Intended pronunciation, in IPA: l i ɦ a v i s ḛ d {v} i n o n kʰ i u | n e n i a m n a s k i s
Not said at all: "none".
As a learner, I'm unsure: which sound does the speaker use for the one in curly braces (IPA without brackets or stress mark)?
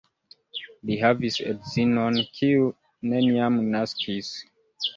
z